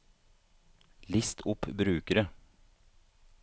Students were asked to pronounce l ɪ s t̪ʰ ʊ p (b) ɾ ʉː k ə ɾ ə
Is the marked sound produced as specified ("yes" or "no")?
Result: yes